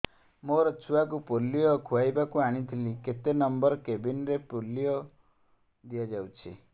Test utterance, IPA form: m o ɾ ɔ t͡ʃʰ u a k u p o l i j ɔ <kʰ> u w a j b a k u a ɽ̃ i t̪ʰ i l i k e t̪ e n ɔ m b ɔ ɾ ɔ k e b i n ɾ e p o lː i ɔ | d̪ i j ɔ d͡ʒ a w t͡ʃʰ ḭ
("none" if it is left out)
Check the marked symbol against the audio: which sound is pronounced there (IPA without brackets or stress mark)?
kʰ